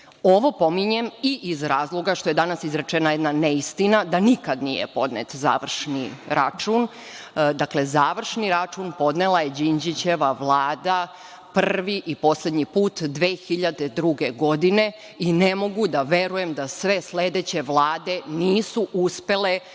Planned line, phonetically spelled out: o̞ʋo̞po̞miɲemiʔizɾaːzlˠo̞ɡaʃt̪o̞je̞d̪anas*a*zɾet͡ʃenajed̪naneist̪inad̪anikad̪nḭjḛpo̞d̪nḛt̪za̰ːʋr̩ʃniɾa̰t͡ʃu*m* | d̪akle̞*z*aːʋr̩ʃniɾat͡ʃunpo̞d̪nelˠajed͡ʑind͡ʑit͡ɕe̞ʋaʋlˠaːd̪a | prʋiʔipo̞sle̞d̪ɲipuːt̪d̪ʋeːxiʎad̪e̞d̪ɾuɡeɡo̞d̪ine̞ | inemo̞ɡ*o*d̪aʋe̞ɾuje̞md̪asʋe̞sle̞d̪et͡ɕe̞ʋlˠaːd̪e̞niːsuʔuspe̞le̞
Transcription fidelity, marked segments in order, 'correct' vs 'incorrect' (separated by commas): incorrect, incorrect, correct, incorrect